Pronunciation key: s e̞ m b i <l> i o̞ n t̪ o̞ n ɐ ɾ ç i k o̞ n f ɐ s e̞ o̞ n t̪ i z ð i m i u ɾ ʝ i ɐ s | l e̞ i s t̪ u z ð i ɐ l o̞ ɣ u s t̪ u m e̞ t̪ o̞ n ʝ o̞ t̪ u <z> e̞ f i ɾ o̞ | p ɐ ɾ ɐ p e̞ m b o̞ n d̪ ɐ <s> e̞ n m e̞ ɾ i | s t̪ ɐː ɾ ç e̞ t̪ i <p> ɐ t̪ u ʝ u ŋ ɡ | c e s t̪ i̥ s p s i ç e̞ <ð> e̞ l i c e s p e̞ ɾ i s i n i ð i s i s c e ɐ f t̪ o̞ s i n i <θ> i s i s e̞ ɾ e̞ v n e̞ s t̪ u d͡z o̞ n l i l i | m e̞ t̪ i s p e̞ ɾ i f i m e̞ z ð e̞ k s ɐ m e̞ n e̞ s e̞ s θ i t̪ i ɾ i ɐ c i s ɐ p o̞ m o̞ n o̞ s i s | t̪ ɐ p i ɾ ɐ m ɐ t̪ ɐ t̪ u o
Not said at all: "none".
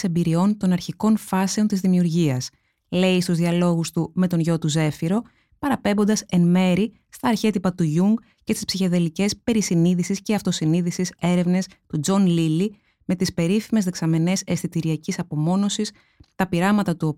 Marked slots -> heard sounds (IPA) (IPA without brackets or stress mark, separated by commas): ɾ, z, s, p, ð, ð